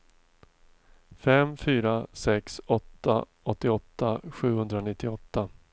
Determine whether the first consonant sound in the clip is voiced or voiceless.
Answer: voiceless